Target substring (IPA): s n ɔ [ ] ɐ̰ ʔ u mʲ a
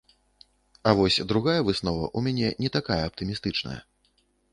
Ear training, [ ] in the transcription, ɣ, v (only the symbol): v